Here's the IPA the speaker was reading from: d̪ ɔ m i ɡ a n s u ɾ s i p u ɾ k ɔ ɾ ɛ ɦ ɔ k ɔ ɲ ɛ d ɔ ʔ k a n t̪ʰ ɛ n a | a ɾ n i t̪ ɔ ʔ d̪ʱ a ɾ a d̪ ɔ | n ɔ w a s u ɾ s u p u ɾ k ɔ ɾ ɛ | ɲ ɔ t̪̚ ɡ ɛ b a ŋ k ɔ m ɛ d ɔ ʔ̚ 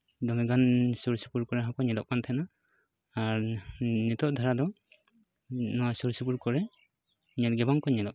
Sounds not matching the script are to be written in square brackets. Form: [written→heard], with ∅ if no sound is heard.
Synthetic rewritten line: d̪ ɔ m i ɡ a n s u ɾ s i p u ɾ k ɔ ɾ ɛ ɦ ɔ k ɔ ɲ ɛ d ɔ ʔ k a n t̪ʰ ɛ n a | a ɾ n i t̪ ɔ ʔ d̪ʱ a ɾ a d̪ ɔ | n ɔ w a s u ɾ s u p u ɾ k ɔ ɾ ɛ | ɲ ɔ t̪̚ ɡ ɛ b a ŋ k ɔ [m→ɲ] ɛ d ɔ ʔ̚